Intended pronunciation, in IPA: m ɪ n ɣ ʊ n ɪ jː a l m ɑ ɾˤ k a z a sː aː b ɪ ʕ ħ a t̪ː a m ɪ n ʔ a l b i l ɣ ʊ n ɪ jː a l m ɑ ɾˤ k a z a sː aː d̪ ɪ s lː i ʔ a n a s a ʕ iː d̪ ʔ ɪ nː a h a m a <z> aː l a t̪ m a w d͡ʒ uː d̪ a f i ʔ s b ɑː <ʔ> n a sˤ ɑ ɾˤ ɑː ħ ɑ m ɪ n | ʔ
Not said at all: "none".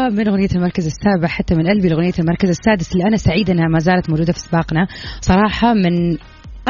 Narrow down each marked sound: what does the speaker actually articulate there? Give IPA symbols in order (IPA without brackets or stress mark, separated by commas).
z, q